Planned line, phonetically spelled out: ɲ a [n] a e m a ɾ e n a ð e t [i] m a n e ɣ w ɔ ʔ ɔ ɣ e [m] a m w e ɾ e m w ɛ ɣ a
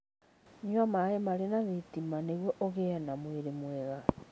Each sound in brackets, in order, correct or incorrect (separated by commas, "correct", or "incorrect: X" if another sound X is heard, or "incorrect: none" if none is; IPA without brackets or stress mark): incorrect: m, correct, incorrect: n